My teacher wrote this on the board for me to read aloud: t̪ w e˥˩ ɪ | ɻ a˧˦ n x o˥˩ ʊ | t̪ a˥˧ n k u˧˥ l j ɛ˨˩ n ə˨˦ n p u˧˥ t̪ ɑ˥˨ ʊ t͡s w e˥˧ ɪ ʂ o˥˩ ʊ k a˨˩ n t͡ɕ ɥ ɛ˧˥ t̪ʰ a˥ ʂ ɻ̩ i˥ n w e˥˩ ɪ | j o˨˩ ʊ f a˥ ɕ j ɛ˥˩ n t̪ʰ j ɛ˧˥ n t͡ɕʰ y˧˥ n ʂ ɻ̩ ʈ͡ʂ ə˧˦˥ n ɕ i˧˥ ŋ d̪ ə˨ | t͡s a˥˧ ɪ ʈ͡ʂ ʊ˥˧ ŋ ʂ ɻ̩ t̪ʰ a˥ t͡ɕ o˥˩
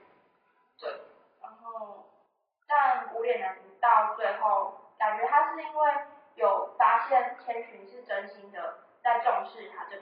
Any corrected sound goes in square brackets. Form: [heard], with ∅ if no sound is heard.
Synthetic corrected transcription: t̪ w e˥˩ ɪ | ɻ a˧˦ n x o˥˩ ʊ | t̪ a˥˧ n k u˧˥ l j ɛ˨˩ n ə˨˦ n p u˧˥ t̪ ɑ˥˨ ʊ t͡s w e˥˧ ɪ [x] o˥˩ ʊ k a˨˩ n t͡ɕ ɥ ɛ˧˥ t̪ʰ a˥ ʂ ɻ̩ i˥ n w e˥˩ ɪ | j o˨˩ ʊ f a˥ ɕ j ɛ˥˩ n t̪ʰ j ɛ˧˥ n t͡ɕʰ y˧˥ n ʂ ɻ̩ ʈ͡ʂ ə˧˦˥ n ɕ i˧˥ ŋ d̪ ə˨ | t͡s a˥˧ ɪ ʈ͡ʂ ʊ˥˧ ŋ ʂ ɻ̩ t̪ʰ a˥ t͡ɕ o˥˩